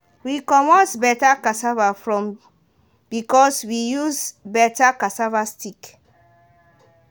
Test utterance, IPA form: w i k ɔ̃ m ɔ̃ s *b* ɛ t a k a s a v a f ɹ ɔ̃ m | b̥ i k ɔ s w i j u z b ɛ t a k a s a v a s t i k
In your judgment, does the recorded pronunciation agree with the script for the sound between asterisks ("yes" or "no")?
yes